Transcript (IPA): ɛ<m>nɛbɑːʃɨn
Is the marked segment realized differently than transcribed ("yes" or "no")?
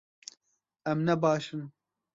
no